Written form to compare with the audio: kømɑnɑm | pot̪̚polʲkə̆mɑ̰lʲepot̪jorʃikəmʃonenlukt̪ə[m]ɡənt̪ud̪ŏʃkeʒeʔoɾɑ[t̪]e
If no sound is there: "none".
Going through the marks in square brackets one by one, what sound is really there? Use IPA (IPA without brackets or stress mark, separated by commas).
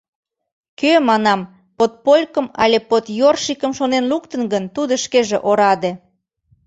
n, d̪